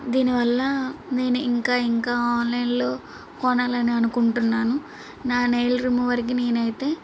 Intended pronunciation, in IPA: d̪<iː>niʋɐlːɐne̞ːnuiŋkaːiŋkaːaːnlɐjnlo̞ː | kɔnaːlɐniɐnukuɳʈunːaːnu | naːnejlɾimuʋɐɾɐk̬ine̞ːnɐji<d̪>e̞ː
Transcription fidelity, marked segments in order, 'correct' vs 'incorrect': correct, incorrect

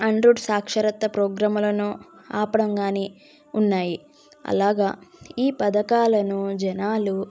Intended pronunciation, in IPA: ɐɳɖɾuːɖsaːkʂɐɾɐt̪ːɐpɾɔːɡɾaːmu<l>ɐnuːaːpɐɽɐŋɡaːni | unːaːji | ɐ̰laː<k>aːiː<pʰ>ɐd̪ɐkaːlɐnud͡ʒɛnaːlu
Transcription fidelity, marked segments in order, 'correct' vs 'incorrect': correct, incorrect, incorrect

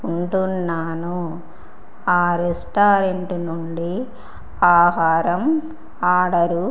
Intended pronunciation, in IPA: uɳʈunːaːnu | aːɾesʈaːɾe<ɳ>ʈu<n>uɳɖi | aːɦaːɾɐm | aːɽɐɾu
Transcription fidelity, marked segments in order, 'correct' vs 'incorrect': correct, correct

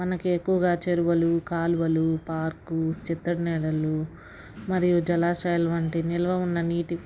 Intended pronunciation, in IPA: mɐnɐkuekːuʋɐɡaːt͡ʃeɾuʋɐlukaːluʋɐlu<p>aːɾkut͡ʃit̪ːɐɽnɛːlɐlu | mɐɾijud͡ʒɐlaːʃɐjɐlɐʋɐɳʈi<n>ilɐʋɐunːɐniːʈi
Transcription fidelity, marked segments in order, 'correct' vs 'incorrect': correct, correct

